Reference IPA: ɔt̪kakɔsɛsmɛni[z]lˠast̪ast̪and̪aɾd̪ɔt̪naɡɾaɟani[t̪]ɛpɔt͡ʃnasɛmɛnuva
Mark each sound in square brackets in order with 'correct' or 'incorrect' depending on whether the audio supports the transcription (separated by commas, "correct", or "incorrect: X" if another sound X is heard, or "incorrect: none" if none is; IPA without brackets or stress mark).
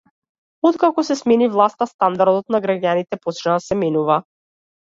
incorrect: v, correct